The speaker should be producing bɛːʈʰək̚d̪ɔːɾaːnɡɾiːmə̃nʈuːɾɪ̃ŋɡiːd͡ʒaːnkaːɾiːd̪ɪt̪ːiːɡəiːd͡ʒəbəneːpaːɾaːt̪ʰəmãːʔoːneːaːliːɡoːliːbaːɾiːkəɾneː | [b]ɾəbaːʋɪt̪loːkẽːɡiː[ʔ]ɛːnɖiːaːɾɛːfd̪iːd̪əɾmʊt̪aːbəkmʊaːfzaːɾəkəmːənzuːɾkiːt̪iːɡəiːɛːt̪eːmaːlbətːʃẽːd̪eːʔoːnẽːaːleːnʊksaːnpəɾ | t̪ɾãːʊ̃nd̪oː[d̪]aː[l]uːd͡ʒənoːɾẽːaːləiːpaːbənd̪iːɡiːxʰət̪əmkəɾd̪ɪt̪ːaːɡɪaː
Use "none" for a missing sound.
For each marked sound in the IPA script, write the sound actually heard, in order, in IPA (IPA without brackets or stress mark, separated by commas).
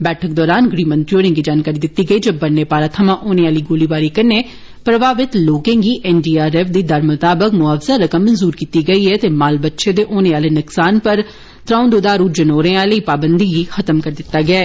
p, ʔ, d̪, ɾ